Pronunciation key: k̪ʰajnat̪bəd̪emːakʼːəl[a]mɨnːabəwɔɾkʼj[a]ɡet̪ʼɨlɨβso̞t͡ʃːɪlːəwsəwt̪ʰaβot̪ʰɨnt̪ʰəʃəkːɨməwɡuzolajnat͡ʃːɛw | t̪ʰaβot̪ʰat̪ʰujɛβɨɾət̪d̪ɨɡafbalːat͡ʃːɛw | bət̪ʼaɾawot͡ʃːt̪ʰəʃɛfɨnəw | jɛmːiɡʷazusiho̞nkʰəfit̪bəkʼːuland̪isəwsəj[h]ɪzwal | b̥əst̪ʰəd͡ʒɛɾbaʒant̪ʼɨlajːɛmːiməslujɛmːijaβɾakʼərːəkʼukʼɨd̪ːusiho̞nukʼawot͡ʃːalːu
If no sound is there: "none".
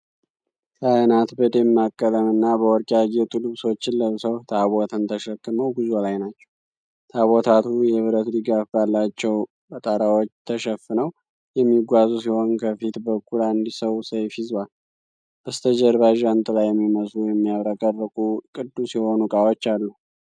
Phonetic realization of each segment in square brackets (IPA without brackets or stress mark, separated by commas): ə, a, f